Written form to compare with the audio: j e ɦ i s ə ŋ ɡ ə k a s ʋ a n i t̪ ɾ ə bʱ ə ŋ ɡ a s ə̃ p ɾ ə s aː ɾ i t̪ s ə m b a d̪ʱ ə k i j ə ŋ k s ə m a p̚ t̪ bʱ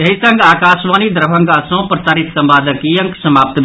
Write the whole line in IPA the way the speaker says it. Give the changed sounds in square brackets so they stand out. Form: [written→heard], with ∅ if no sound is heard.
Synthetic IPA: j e ɦ i s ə ŋ ɡ [ə→a] k a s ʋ a n i [t̪→d̪] ɾ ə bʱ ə ŋ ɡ a s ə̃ p ɾ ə s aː ɾ i t̪ s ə m b a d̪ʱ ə k i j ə ŋ k s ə m a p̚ t̪ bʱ